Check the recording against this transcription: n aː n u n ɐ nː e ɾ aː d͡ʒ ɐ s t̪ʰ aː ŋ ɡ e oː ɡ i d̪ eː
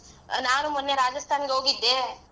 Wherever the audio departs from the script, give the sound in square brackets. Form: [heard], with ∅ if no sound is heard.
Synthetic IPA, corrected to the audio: n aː n u [m] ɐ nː e ɾ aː d͡ʒ ɐ s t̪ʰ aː [n] ɡ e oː ɡ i [d̪ː] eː